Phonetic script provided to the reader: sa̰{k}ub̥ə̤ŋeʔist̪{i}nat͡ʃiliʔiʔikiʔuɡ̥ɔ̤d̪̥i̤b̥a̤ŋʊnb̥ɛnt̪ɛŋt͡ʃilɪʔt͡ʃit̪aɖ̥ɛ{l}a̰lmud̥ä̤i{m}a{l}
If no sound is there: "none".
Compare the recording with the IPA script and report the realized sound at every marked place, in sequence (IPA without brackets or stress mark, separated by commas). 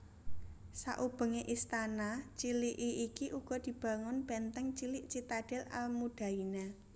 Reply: ʔ, a, l, n, none